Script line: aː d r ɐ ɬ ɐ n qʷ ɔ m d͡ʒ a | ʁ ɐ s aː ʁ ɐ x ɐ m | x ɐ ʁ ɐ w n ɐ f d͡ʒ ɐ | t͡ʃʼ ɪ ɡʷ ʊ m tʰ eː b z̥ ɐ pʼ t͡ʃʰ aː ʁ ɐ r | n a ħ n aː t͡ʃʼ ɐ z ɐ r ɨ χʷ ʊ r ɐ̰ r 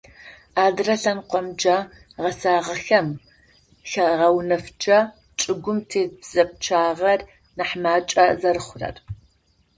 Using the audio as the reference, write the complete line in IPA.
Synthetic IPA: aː d r ɐ ɬ ɐ n qʷ ɔ m d͡ʒ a | ʁ ɐ s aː ʁ ɐ x ɐ m | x ɐ ʁ ɐ w n ɐ f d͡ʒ ɐ | t͡ʃʼ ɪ ɡʷ ʊ m tʰ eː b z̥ ɐ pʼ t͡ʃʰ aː ʁ ɐ r | n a ħ m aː t͡ʃʼ ɐ z ɐ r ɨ χʷ ʊ r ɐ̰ r